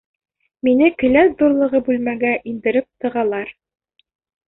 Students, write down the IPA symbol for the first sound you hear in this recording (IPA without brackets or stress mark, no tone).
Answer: m